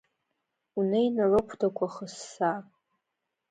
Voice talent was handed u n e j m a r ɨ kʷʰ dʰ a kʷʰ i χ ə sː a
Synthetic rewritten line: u n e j n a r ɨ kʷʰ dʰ a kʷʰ a χ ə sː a